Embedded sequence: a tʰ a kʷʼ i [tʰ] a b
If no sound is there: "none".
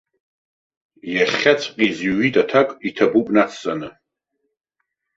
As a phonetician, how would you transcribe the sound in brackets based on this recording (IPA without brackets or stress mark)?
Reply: tʰ